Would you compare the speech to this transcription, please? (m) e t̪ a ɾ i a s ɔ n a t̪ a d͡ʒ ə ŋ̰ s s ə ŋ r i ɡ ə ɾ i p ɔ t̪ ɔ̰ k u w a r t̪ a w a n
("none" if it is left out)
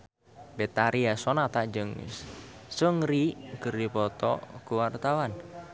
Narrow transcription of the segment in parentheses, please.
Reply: b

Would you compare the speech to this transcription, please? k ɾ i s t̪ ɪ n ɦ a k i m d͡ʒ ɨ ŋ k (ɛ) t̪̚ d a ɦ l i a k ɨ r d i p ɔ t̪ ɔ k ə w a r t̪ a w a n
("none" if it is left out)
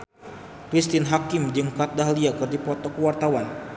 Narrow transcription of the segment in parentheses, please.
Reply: a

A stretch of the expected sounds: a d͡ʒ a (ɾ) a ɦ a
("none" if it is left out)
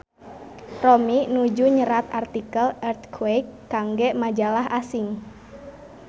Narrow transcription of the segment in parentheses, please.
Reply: l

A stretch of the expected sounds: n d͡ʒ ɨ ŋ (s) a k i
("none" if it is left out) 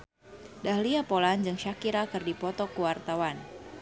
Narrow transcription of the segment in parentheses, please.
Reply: ʃ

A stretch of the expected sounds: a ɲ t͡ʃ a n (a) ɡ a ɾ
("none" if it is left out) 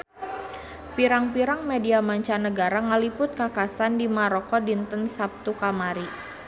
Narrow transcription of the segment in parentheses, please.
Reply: ə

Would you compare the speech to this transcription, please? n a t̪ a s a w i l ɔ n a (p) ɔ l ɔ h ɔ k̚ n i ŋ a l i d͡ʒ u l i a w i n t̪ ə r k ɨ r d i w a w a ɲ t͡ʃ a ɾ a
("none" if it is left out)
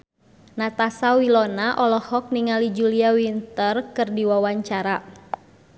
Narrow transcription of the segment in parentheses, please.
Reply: ʔ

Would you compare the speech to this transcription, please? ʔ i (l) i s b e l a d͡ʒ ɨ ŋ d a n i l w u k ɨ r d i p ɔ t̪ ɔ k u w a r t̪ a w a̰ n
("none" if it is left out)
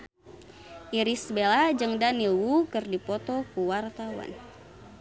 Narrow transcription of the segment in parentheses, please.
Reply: ɾ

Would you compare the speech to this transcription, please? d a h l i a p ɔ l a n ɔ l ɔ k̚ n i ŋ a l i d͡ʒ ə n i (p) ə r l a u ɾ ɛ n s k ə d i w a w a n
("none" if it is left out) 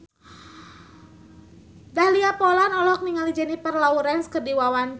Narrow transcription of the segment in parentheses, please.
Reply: p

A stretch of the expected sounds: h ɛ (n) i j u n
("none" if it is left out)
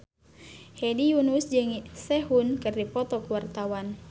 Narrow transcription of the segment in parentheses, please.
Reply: d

